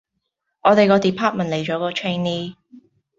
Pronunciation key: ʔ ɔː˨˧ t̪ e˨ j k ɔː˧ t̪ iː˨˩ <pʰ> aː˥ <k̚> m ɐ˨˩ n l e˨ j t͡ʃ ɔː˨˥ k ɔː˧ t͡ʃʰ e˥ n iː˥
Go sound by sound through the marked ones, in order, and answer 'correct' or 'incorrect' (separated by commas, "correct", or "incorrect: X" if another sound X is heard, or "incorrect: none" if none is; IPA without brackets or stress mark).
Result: correct, incorrect: t̚